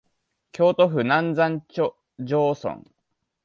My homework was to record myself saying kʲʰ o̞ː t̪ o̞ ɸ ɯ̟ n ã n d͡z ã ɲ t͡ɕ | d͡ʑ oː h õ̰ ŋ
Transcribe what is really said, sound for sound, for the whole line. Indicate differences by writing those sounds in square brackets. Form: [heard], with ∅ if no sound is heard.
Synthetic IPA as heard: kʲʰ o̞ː t̪ o̞ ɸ ɯ̟ n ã n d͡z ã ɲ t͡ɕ | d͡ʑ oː [s] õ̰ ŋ